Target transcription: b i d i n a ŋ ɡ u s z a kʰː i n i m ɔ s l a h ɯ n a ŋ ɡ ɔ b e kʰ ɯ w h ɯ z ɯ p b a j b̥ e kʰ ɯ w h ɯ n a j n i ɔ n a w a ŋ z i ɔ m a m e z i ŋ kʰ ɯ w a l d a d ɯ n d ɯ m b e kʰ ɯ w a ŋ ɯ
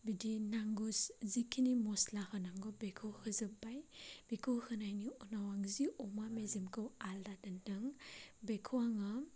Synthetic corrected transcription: b i d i n a ŋ ɡ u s z i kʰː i n i m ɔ s l a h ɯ n a ŋ ɡ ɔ b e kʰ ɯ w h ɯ z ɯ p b a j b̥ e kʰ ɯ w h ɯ n a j n i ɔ n a w a ŋ z i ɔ m a m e z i m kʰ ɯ w a l d a d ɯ n d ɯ ŋ b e kʰ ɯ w a ŋ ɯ